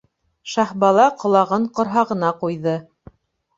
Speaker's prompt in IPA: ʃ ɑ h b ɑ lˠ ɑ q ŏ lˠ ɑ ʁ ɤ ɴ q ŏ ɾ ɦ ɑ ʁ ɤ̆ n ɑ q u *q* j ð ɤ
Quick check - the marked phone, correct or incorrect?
incorrect